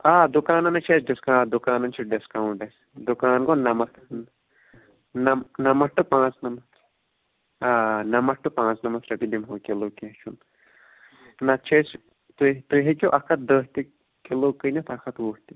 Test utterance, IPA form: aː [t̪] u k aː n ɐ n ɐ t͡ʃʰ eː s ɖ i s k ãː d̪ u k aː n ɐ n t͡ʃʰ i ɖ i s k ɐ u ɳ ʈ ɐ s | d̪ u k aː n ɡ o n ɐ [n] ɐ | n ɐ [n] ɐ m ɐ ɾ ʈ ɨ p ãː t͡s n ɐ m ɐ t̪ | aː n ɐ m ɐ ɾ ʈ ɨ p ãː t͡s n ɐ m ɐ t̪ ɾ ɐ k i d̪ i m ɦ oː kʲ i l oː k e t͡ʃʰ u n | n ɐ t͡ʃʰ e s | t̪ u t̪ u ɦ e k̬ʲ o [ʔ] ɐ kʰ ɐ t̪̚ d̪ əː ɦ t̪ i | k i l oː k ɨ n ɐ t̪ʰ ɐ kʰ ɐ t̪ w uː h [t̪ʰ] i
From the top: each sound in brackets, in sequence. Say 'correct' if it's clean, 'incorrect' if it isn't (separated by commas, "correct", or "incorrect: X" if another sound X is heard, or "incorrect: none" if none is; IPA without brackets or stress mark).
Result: incorrect: d̪, incorrect: m, correct, correct, incorrect: t̪